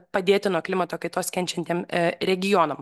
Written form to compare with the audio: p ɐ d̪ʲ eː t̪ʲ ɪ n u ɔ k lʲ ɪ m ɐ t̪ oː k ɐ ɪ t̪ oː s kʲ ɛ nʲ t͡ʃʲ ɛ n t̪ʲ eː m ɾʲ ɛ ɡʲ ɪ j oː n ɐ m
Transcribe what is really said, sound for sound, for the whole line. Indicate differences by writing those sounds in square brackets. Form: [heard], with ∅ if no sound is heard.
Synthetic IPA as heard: p ɐ d̪ʲ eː t̪ʲ ɪ n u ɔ k lʲ ɪ m ɐ t̪ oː k ɐ ɪ t̪ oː s kʲ ɛ nʲ t͡ʃʲ ɛ n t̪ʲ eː m ɾʲ ɛ ɡʲ ɪ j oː n ɐ m